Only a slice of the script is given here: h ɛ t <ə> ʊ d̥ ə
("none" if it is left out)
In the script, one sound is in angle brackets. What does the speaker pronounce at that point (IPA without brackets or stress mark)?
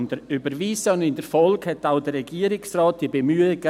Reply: a